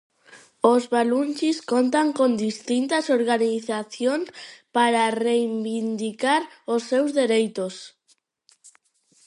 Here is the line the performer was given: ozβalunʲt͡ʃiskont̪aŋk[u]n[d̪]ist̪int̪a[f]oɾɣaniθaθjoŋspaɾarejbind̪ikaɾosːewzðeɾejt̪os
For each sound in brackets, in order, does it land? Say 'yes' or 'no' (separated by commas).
no, yes, no